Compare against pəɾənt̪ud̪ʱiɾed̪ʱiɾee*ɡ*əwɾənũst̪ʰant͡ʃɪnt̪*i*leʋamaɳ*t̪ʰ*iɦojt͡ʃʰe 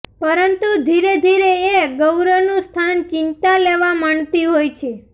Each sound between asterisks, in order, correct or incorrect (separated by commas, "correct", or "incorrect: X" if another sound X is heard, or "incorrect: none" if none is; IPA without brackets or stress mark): correct, incorrect: a, incorrect: t̪